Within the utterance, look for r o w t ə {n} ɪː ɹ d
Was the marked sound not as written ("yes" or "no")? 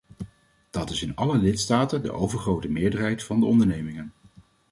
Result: yes